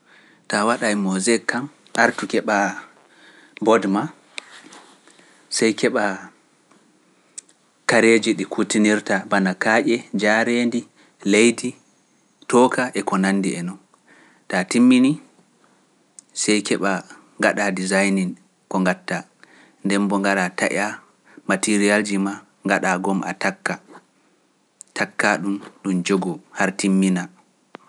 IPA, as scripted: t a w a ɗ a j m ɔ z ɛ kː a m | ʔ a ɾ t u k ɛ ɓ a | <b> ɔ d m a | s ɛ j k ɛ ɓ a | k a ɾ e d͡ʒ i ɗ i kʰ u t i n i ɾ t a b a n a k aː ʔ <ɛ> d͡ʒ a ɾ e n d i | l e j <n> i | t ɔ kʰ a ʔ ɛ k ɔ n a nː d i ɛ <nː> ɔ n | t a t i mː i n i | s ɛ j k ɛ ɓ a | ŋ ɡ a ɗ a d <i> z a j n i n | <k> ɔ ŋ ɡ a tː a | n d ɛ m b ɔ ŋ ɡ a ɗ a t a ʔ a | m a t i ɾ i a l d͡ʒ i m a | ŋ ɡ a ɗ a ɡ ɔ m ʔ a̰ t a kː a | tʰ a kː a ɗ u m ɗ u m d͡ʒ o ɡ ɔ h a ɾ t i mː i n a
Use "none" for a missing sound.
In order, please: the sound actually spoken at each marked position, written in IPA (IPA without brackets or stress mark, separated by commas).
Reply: b, ɛ, d, n, i, k